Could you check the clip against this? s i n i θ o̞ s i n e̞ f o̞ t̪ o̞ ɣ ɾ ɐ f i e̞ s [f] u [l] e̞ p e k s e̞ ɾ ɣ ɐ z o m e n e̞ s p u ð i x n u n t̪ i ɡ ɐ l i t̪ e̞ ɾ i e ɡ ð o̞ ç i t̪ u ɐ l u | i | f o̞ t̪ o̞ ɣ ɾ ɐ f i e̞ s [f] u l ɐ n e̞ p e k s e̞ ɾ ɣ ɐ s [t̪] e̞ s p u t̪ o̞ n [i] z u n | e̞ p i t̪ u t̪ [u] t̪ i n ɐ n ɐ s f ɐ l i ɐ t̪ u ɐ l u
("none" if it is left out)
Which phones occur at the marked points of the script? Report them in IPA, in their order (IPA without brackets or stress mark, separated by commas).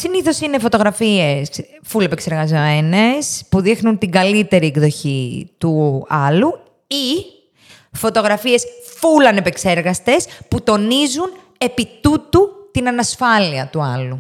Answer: f, l, f, t̪, i, u